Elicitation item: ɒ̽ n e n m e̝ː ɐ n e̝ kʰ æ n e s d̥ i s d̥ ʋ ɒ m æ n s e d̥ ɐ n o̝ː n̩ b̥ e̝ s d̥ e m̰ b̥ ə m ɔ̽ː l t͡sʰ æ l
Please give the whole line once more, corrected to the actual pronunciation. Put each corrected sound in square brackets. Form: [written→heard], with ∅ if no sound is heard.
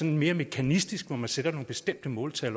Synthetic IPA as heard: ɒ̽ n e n m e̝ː ɐ [n→m] e̝ kʰ æ n [e→i] s d̥ i s [d̥→ɡ̥] ʋ ɒ m æ n s e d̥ ɐ n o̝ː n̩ b̥ e̝ s d̥ e m̰ [b̥→d̥] ə m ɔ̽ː l t͡sʰ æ l